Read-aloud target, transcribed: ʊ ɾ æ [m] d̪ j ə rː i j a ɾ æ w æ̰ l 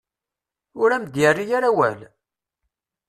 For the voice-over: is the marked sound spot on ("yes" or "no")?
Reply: yes